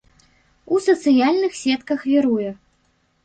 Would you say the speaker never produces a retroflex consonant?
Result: yes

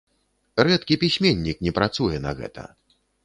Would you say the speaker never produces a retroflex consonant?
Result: yes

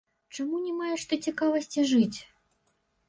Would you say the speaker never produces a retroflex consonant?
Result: no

